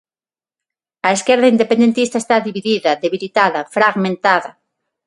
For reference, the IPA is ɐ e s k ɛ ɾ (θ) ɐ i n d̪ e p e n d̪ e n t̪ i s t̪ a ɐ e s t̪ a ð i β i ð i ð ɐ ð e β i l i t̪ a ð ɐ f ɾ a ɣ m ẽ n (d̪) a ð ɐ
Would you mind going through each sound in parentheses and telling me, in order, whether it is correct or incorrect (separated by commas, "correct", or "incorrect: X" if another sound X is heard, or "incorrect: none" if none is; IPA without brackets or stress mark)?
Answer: incorrect: ð, incorrect: t̪